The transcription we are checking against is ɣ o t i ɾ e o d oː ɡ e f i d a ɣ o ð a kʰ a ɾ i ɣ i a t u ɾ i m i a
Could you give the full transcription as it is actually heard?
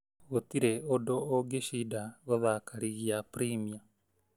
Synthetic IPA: ɣ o t i ɾ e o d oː ɡ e ʃ i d a ɣ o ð a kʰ a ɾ i ɣ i a p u ɾ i m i a